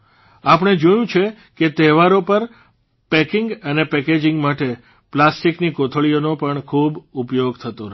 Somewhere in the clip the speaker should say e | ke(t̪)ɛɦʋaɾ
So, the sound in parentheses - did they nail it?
yes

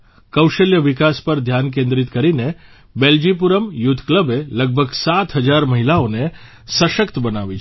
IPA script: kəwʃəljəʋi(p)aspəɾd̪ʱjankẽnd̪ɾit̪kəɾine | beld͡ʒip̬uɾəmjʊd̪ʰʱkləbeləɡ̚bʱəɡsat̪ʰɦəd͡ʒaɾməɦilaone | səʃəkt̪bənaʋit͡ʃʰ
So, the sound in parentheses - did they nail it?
no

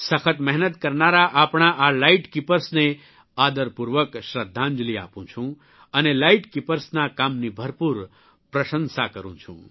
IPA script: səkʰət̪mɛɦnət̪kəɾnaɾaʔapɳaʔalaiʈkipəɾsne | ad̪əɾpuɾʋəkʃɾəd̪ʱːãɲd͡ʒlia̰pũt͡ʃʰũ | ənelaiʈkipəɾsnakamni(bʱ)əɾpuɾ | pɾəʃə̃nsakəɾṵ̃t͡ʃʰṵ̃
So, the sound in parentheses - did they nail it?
yes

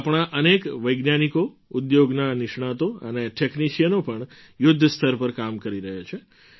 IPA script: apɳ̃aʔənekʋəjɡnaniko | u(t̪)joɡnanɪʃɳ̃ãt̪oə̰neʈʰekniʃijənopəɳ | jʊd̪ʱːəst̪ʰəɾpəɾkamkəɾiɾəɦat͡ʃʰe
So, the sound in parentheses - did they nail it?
no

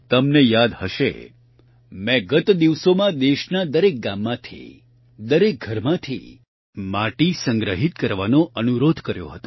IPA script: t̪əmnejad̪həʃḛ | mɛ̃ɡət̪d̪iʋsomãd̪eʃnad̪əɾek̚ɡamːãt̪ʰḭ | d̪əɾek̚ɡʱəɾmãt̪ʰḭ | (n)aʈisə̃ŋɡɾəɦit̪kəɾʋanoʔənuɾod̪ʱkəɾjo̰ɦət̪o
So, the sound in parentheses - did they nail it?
no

